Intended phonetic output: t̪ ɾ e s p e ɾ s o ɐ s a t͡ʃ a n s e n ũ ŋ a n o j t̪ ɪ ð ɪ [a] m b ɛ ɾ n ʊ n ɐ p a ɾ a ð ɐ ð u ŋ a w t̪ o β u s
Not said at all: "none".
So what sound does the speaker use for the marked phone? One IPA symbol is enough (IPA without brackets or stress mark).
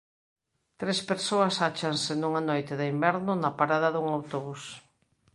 i